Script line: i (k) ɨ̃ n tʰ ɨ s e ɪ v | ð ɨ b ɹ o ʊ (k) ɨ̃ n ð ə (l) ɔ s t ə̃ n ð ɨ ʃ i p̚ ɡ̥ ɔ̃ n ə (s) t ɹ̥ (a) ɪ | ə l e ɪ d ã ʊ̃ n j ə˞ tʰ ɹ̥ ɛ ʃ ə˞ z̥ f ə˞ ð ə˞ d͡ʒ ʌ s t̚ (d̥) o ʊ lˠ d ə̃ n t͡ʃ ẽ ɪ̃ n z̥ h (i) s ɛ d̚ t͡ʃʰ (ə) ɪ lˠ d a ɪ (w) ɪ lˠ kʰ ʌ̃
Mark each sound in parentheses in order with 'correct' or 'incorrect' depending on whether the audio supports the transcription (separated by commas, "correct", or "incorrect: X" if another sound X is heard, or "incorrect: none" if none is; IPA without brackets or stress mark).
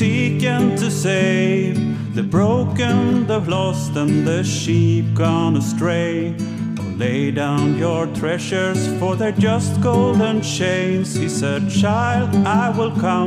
correct, correct, correct, correct, incorrect: e, incorrect: ɡ̥, correct, incorrect: a, correct